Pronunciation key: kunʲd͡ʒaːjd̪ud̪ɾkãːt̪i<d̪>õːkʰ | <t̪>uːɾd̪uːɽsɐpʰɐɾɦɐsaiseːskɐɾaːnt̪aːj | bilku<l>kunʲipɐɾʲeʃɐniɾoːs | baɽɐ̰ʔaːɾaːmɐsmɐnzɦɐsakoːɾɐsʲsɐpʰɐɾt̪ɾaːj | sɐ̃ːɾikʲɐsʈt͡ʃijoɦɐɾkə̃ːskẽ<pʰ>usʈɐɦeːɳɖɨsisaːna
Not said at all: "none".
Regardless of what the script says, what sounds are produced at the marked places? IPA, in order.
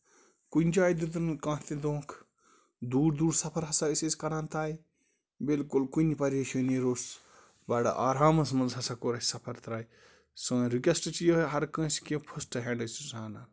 d̪, d̪, l, pʰ

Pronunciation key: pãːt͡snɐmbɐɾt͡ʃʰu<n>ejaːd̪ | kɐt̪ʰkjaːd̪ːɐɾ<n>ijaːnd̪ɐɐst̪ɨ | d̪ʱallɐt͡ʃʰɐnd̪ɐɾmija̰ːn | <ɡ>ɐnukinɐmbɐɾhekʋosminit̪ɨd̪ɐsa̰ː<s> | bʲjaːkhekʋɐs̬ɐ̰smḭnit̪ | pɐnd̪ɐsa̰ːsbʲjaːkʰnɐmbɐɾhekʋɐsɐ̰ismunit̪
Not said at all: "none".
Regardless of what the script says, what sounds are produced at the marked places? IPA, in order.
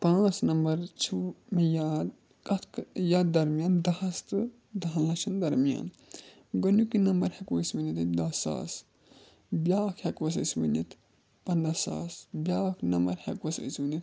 m, m, ɡ, s

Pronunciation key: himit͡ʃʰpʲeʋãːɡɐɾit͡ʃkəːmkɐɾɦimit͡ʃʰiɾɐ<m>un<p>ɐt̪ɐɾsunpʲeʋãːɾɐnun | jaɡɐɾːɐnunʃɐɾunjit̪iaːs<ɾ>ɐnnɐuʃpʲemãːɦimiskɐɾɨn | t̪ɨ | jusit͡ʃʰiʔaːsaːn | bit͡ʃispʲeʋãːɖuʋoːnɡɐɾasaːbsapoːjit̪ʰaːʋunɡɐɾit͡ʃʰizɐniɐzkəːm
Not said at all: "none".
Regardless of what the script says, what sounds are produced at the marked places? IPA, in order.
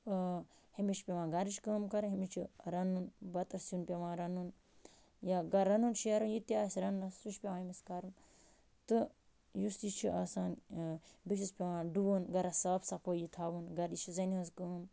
n, b, ɾ

